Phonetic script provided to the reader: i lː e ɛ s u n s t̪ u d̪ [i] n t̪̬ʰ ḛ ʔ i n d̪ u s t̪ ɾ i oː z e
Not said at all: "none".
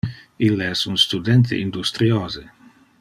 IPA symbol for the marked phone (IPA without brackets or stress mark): ɛ